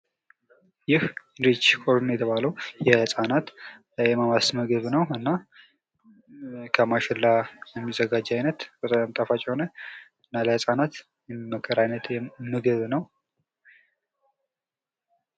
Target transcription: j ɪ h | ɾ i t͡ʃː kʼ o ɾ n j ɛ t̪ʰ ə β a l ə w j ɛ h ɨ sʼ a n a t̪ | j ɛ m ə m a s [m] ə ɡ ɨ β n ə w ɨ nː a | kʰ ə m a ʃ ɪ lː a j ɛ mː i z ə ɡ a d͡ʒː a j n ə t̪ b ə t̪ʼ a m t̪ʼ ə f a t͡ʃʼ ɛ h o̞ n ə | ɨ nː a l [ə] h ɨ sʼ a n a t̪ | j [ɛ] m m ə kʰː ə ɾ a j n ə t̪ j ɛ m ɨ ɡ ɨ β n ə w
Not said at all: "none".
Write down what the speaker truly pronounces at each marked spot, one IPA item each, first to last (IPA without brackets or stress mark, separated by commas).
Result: m, ə, ɛ